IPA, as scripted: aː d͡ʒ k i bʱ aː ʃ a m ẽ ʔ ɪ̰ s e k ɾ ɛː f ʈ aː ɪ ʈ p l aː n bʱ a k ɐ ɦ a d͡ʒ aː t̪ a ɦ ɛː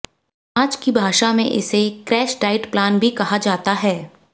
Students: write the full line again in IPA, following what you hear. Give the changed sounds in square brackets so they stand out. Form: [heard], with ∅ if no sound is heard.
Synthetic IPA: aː d͡ʒ k i bʱ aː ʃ a m ẽ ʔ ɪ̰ s e k ɾ ɛː [ʃ] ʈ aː ɪ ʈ p l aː n bʱ [i] k ɐ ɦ a d͡ʒ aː t̪ a ɦ ɛː